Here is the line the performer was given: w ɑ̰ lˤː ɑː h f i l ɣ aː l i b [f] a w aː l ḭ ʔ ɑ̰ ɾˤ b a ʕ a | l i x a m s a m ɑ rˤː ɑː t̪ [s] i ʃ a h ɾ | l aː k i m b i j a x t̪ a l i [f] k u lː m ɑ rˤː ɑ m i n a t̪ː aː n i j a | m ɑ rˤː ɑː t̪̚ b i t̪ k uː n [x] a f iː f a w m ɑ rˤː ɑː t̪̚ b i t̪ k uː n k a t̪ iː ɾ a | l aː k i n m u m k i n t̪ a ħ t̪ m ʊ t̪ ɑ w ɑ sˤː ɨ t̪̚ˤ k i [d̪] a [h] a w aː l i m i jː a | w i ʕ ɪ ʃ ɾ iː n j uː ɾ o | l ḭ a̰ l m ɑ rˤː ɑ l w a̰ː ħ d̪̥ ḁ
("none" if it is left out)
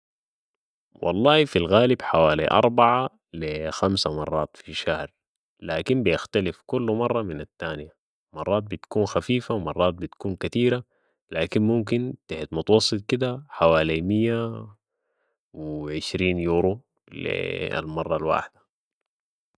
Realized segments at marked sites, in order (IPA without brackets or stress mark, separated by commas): ħ, f, f, x, d̪, ħ